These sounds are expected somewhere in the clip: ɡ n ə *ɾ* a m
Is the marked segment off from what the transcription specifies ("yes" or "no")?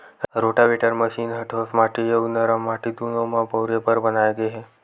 no